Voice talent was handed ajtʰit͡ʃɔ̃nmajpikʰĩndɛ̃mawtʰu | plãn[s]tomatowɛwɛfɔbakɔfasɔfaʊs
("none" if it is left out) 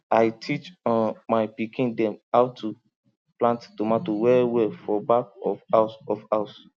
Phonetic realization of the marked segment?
t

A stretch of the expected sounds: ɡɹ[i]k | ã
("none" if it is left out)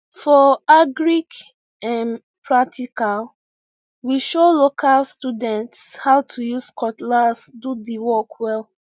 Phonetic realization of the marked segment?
i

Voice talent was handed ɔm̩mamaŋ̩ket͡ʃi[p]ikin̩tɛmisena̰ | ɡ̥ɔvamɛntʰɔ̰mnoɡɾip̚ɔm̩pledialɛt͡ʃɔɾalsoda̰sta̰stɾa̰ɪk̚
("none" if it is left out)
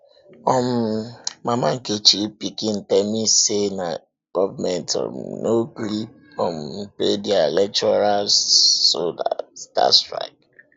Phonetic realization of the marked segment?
p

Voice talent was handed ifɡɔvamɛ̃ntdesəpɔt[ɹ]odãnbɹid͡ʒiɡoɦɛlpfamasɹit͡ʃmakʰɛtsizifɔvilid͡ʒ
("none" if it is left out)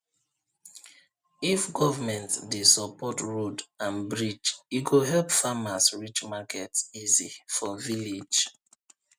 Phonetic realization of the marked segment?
ɹ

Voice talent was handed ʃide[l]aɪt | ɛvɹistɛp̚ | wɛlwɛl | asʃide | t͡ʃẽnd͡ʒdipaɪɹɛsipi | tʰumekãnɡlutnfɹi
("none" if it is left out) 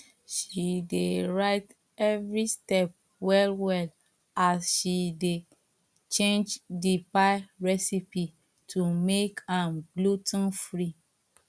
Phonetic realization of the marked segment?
ɹ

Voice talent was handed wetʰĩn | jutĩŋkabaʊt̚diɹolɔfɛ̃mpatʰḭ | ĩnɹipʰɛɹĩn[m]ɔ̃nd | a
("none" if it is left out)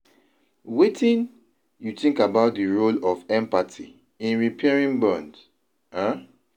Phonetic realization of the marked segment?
b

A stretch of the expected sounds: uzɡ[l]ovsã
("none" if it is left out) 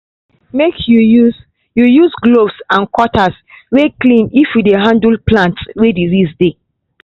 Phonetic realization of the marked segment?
l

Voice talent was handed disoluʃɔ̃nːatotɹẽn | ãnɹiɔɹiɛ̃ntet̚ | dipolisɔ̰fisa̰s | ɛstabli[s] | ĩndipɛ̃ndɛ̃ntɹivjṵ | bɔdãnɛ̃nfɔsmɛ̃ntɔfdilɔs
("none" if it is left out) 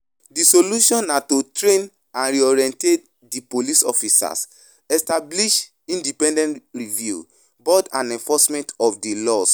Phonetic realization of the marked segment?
ʃ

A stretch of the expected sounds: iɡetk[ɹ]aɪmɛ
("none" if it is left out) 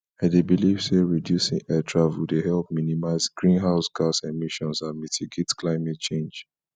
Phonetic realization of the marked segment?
l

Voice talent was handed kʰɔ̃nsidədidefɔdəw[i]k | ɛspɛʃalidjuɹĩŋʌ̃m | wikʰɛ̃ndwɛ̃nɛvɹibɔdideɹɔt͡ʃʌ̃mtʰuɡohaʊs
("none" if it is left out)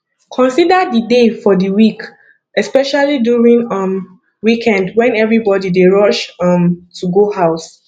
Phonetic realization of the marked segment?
i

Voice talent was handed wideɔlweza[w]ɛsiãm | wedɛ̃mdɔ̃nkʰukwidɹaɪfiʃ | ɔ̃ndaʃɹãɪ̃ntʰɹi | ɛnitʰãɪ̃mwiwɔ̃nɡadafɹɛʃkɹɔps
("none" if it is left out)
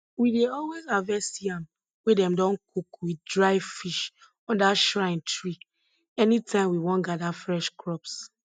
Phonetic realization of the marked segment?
v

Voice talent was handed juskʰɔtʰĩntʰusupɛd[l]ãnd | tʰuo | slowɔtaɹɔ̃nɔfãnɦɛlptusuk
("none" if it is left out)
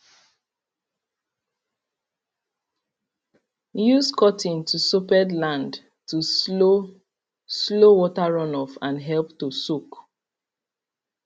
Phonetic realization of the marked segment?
l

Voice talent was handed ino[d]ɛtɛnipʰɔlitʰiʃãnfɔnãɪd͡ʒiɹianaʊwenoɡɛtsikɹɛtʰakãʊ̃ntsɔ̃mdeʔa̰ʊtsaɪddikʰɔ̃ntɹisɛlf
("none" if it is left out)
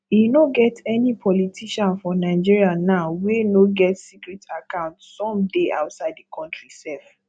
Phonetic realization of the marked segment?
ɡ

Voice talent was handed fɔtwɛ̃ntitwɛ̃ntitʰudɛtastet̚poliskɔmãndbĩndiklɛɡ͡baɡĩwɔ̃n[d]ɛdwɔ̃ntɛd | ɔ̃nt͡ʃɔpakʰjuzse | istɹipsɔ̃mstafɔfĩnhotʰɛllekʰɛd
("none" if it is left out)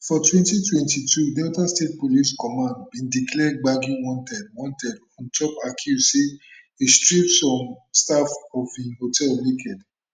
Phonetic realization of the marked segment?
t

